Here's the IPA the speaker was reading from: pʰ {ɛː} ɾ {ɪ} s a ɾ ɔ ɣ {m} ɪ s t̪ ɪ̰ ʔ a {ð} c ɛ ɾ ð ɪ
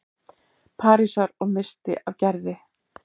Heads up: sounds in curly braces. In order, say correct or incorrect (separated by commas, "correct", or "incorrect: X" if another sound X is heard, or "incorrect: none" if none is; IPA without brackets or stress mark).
incorrect: aː, incorrect: i, correct, incorrect: v